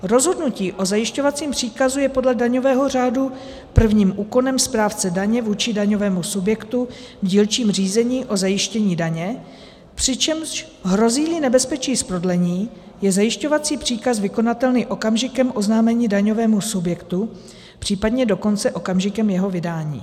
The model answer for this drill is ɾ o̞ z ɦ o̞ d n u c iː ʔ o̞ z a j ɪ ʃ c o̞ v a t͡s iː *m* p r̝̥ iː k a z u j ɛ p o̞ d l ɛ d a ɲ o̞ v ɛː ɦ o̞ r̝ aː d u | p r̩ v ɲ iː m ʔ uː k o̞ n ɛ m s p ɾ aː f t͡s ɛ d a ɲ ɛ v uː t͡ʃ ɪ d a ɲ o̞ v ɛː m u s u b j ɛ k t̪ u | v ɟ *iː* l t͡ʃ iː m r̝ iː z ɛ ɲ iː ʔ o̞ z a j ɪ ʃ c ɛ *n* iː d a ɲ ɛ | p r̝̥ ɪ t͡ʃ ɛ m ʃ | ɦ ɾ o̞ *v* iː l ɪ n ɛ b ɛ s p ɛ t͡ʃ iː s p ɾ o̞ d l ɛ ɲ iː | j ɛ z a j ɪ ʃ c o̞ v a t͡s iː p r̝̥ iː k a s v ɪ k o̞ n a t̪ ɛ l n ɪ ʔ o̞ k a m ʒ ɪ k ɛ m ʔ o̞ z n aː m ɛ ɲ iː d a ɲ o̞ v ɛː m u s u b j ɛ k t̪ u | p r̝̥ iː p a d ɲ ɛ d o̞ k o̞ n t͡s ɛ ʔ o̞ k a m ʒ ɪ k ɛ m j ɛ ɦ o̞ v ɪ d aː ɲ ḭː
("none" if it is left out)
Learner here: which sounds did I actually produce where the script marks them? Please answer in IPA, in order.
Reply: m, iː, ɲ, z

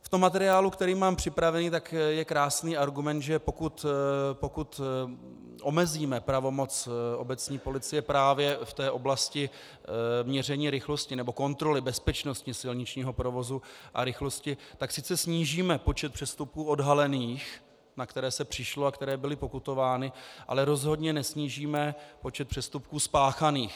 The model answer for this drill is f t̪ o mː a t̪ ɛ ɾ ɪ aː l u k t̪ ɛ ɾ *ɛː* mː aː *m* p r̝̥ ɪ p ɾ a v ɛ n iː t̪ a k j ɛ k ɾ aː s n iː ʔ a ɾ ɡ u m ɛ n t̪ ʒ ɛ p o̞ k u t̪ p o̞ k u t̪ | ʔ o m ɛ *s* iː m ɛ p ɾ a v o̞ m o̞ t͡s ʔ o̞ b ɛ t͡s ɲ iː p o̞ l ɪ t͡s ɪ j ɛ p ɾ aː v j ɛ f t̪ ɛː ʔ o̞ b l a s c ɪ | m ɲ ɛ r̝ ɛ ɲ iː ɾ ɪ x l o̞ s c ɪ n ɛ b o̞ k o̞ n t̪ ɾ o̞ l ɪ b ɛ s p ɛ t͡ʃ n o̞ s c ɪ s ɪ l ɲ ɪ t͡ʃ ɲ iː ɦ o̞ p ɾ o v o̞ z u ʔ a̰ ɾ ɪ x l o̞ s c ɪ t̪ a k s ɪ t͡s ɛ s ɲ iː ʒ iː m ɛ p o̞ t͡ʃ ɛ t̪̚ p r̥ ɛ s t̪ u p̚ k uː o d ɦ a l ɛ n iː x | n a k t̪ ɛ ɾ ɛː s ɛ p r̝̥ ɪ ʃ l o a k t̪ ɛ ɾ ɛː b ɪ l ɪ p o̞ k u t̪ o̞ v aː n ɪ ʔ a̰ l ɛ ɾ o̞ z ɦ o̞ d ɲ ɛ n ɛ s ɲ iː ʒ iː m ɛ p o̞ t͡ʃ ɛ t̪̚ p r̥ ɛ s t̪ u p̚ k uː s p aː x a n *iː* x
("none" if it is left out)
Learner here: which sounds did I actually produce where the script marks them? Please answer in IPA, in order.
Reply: iː, m, z, iː

